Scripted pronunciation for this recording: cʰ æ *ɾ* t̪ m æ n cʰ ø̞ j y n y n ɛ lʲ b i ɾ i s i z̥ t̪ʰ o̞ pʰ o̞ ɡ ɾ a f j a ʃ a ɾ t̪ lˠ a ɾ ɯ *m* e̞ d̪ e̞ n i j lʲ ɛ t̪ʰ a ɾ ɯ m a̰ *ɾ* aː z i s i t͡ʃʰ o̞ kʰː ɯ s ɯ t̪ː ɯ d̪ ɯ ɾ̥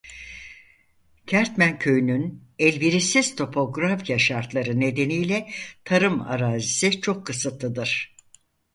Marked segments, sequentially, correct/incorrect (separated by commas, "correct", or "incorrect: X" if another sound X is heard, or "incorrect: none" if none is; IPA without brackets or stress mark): correct, incorrect: n, correct